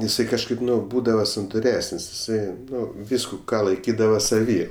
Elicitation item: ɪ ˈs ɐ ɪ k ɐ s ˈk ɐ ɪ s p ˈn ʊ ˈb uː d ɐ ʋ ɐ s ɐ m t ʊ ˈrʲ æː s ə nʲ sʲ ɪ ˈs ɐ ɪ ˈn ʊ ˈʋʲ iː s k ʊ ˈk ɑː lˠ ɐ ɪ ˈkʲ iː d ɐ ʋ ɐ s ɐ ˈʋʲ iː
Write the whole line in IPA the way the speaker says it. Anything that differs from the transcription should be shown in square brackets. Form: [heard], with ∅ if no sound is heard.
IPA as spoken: ɪ ˈs ɐ ɪ k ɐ [ʃ] ˈk ɐ ɪ [∅] p ˈn ʊ ˈb uː d ɐ ʋ ɐ s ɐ [n] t ʊ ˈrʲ æː s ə nʲ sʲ ɪ ˈs ɐ ɪ ˈn ʊ ˈʋʲ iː s k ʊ ˈk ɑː lˠ ɐ ɪ ˈkʲ iː d ɐ ʋ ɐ s ɐ ˈʋʲ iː